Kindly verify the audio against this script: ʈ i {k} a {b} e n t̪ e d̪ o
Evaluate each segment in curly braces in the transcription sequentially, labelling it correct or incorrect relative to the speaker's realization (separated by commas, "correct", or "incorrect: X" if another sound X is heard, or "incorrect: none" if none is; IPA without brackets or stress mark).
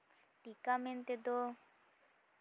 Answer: correct, incorrect: m